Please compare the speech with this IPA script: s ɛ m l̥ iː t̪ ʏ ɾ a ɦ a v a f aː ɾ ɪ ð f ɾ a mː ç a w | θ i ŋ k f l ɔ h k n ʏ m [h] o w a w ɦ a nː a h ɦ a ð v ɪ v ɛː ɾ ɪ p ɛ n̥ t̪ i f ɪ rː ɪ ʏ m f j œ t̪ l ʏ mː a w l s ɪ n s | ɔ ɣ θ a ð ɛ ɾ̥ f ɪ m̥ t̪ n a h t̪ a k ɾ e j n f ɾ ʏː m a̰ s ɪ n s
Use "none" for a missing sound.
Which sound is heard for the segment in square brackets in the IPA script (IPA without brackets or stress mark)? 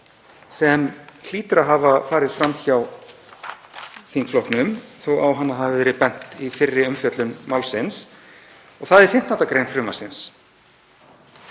θ